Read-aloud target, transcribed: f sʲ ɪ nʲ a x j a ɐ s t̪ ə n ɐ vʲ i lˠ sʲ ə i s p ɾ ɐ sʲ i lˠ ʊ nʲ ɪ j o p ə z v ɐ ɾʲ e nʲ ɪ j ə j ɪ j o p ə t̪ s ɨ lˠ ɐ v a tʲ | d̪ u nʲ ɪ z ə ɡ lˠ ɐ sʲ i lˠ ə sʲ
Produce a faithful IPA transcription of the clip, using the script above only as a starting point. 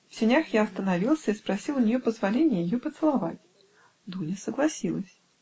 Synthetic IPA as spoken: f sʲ ɪ nʲ a x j a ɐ s t̪ ə n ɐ vʲ i lˠ sʲ ə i s p ɾ ɐ sʲ i lˠ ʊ nʲ ɪ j o p ə z v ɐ lʲ e nʲ ɪ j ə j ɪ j o p ə t̪ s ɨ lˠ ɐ v a tʲ | d̪ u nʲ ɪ s ə ɡ lˠ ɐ sʲ i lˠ ə sʲ